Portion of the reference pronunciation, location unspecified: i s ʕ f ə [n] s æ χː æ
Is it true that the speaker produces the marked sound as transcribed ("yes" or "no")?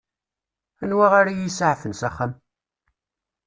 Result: yes